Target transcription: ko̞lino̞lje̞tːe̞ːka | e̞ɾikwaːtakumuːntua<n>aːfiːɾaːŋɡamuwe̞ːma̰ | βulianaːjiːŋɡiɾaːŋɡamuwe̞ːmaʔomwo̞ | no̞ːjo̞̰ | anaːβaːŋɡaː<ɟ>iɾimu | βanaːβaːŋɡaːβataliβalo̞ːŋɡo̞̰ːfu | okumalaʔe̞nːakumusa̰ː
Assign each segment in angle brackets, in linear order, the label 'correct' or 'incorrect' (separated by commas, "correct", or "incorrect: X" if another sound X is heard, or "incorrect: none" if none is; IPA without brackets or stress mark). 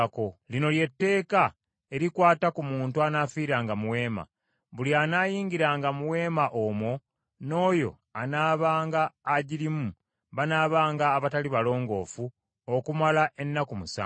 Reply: correct, correct